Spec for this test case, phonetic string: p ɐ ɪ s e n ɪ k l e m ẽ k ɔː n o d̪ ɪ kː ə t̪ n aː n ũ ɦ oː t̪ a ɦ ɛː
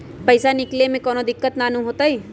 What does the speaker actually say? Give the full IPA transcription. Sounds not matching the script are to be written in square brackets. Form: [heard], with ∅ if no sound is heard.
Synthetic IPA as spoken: p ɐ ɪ s [a] n ɪ k l e m ẽ k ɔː n o d̪ ɪ kː ə t̪ n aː n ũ ɦ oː t̪ a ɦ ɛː